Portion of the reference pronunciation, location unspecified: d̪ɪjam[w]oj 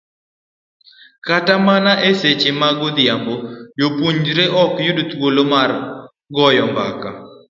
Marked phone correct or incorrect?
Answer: incorrect